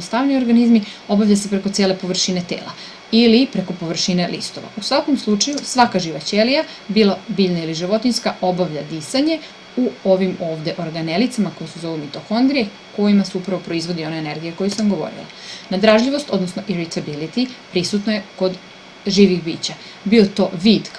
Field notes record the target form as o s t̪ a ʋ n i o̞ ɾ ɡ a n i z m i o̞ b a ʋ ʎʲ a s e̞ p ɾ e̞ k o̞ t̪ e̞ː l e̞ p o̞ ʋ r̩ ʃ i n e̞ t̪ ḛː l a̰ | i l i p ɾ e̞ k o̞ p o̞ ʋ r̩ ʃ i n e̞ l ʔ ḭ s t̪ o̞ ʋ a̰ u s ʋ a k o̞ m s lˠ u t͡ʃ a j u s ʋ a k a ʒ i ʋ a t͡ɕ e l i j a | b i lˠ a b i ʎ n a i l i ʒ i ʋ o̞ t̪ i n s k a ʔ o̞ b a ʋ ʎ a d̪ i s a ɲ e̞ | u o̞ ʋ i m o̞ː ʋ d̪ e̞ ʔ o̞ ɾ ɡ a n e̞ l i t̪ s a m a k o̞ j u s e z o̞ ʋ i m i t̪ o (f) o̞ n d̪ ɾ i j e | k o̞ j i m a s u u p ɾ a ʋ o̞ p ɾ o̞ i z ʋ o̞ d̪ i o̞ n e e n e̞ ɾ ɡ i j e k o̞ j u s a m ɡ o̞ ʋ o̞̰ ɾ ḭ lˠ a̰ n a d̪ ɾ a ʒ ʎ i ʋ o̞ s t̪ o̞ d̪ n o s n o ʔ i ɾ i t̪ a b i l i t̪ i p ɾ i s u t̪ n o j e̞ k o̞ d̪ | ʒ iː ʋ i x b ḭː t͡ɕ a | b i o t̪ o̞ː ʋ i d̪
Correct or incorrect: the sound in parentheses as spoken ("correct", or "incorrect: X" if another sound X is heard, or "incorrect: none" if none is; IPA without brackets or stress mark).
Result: incorrect: x